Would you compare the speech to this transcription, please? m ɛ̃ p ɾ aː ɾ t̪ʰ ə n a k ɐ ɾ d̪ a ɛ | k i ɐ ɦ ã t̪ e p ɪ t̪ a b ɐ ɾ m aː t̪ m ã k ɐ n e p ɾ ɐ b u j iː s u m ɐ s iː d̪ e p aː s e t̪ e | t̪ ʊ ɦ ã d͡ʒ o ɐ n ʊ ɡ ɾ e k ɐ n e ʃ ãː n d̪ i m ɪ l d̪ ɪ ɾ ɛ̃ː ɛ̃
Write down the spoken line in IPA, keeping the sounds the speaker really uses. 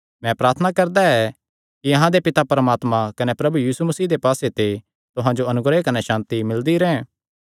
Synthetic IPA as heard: m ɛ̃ p ɾ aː ɾ t̪ʰ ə n a k ɐ ɾ d̪ a ɛ | k i ɐ ɦ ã d̪ e p ɪ t̪ a p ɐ ɾ m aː t̪ m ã k ɐ n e p ɾ ɐ b u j iː s u m ɐ s iː d̪ e p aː s e t̪ e | t̪ ʊ ɦ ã d͡ʒ o ɐ n ʊ ɡ ɾ e k ɐ n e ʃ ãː n t̪ i m ɪ l d̪ i ɾ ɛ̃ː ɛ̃